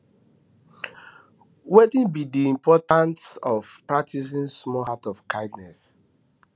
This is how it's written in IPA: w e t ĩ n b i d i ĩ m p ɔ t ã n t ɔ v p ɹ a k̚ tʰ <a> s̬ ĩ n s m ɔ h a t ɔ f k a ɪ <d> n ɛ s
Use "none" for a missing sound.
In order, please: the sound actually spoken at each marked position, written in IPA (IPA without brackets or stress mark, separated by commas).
i, d